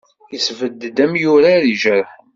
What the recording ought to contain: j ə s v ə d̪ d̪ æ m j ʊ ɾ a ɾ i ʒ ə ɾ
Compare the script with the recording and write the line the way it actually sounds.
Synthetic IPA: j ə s v ə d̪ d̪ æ m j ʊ ɾ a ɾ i ʒ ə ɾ